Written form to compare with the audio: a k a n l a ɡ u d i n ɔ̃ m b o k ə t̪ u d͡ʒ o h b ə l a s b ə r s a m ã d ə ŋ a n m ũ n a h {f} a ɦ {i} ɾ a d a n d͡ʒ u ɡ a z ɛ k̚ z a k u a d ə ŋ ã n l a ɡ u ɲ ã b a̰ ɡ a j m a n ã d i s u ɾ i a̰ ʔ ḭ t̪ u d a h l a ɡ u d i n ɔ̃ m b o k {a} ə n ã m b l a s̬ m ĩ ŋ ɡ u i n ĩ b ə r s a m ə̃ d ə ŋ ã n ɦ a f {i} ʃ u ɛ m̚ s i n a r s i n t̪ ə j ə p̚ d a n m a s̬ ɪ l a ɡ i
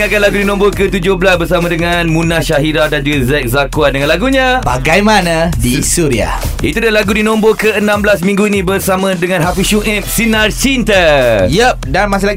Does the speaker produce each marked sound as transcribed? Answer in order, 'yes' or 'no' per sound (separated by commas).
no, yes, no, yes